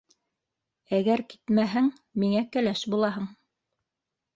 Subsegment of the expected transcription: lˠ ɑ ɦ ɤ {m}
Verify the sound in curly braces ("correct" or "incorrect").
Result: incorrect